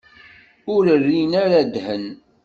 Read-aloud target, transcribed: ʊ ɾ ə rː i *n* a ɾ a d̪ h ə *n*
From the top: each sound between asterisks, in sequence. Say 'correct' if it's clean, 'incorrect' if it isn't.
correct, correct

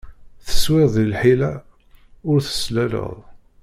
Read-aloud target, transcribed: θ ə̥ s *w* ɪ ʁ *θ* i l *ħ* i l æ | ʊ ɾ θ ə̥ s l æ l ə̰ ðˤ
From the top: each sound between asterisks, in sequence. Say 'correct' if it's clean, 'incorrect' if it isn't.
correct, incorrect, correct

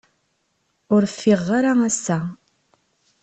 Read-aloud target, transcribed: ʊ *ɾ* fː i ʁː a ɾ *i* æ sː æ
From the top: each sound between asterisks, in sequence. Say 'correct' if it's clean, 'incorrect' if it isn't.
correct, incorrect

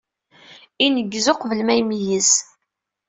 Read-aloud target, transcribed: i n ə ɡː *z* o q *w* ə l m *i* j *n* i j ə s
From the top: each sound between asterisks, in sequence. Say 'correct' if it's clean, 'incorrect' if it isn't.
correct, incorrect, incorrect, incorrect

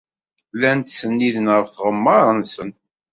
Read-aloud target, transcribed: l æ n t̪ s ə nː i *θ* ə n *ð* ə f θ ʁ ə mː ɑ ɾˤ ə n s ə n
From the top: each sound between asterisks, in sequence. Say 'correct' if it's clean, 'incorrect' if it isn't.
incorrect, incorrect

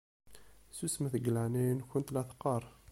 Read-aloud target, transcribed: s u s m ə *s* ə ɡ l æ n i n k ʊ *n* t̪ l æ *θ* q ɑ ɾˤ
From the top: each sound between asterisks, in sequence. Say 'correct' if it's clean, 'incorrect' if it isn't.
incorrect, correct, correct

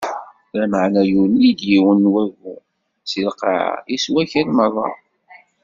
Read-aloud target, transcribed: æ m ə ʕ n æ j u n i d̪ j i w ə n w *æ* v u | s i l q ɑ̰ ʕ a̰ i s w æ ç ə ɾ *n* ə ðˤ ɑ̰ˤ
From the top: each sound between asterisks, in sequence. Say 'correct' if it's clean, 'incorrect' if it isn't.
correct, incorrect

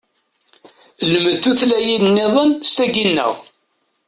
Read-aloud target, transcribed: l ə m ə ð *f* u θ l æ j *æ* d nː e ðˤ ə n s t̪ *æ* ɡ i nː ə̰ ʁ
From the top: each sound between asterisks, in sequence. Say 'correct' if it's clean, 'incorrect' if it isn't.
incorrect, incorrect, correct

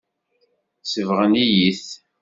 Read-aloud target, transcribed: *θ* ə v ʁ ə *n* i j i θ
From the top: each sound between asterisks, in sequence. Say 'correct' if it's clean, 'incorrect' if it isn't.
incorrect, correct

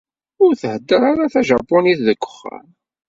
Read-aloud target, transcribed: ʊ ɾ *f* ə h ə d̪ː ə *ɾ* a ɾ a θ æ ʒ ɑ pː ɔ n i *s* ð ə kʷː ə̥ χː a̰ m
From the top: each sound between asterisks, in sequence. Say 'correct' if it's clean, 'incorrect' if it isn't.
incorrect, correct, incorrect

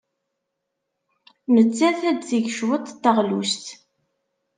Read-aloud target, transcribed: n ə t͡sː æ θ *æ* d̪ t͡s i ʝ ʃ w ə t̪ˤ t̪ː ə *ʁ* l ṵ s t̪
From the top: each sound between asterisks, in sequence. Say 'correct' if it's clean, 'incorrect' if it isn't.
correct, correct

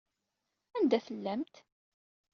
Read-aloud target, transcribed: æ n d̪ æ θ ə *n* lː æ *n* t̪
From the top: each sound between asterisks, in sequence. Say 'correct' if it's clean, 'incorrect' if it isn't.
incorrect, incorrect

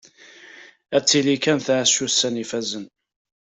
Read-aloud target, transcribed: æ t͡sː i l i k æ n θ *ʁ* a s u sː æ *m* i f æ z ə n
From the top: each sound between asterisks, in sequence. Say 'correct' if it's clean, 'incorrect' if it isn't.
incorrect, incorrect

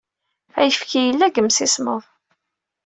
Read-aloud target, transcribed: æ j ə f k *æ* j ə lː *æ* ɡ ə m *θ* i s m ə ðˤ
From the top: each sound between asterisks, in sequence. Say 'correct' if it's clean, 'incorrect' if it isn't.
incorrect, correct, incorrect

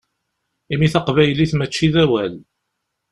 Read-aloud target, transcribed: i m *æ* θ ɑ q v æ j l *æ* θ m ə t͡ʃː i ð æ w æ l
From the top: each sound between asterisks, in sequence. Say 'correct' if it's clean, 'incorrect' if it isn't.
incorrect, incorrect

